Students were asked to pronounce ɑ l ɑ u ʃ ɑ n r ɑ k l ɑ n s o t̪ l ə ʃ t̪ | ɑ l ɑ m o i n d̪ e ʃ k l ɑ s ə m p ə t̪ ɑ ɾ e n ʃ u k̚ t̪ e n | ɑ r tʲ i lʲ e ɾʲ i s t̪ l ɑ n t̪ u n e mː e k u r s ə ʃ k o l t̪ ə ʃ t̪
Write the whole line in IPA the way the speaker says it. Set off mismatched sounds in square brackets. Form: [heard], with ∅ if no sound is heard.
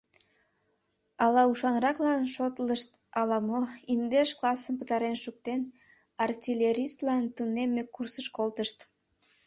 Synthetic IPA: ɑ l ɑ u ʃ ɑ n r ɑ k l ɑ n [ʃ] o t̪ l ə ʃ t̪ | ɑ l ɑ m o i n d̪ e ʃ k l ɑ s ə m p ə t̪ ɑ ɾ e n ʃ u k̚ t̪ e n | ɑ r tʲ i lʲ e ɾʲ i s t̪ l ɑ n t̪ u n e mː e k u r s ə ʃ k o l t̪ ə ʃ t̪